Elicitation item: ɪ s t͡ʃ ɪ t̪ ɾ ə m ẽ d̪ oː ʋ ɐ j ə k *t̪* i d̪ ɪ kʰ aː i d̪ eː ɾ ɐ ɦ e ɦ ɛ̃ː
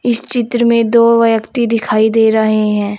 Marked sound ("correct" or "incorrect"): correct